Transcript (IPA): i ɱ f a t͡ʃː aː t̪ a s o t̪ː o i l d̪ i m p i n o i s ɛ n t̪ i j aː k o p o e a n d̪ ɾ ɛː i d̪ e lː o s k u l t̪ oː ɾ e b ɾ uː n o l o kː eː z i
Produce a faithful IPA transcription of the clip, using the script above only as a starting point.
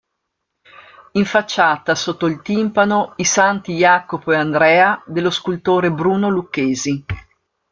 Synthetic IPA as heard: i ɱ f a t͡ʃː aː t̪ a s o t̪ː o i l t̪ i m p a n o i s a n t̪ i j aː k o p o e a n d̪ ɾ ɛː a d̪ e lː o s k u l t̪ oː ɾ e b ɾ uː n o l u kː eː z i